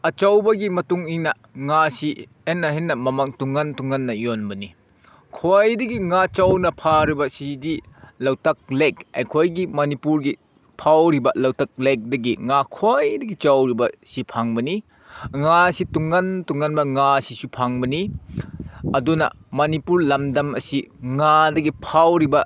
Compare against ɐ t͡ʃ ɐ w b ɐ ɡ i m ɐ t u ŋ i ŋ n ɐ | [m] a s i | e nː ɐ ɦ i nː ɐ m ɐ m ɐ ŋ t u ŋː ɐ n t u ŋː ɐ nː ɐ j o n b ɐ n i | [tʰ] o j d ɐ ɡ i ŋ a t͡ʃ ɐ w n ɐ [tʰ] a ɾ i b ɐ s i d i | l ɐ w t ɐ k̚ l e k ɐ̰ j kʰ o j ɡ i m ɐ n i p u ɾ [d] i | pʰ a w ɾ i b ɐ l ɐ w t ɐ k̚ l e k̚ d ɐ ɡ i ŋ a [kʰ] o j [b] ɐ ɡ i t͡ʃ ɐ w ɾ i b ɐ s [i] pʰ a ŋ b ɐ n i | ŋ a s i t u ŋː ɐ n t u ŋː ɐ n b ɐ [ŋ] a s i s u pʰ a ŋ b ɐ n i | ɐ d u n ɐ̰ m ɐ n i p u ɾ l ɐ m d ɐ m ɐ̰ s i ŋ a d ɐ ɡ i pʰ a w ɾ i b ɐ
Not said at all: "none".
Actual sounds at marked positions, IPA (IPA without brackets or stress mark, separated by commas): ŋ, kʰ, pʰ, ɡ, kʰ, d, i, ŋ